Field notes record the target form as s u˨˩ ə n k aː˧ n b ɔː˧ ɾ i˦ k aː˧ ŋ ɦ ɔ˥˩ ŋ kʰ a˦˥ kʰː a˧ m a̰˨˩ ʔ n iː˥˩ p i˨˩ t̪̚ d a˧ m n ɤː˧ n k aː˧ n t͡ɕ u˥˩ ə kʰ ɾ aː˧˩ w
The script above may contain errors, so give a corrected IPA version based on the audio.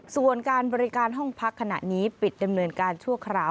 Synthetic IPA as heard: s u˨˩ ə n k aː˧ n b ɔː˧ ɾ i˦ k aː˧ n ɦ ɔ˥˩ ŋ pʰ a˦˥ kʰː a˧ n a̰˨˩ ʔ n iː˦˥ p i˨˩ t̪̚ d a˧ m n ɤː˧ n k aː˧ n t͡ɕʰ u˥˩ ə kʰ ɾ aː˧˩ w